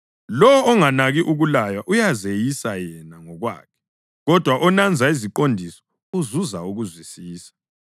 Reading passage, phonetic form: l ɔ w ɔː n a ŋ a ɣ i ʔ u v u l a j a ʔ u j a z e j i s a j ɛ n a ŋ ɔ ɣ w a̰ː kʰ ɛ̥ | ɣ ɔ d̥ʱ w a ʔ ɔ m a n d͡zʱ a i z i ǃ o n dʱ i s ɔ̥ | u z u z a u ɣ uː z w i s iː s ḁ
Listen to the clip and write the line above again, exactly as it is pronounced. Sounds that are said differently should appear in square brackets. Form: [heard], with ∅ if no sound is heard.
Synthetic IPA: l ɔ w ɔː [ŋ] a [n] a ɣ i ʔ u [ɣ] u l a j a ʔ u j a z e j i s a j ɛ n a ŋ ɔ ɣ w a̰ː kʰ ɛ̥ | ɣ ɔ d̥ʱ w a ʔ ɔ [n] a n d͡zʱ a i z i ǃ o n dʱ i s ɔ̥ | u z u z a u ɣ [u] z w i s iː s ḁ